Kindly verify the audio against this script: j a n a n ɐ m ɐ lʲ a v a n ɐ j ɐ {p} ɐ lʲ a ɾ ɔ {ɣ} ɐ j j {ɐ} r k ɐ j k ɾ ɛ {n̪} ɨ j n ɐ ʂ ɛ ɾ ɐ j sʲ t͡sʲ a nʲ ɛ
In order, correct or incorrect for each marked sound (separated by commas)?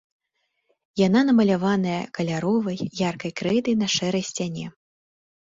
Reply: incorrect, incorrect, incorrect, incorrect